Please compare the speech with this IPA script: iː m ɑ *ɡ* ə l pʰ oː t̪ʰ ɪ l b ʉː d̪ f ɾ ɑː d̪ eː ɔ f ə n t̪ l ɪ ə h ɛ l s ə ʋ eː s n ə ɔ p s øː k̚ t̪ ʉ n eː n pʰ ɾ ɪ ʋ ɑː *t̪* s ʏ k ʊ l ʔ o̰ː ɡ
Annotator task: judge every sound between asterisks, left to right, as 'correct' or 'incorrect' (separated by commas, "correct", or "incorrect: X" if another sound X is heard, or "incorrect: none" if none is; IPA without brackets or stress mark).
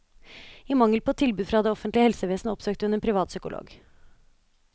incorrect: ŋ, correct